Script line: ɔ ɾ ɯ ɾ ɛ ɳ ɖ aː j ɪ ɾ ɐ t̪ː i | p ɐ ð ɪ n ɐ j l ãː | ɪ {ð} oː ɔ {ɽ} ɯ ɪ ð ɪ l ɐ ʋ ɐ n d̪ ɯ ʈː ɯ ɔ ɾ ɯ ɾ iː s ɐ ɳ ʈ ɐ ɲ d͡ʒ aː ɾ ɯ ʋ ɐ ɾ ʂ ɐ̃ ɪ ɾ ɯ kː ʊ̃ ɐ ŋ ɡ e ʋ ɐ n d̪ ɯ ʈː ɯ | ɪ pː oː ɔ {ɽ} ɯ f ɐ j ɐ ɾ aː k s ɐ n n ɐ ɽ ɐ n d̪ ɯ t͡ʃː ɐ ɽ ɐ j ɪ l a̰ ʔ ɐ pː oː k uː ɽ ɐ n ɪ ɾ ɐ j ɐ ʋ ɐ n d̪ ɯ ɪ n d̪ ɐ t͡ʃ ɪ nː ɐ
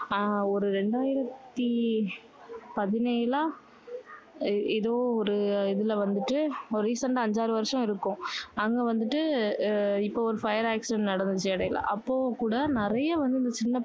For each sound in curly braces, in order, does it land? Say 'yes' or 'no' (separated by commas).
yes, no, no